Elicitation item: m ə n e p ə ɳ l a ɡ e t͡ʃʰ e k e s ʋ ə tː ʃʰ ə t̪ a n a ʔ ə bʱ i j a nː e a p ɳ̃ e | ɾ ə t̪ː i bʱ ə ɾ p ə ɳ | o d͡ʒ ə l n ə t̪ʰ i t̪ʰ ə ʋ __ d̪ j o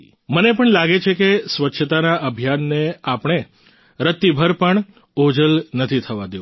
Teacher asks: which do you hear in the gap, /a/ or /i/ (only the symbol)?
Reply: a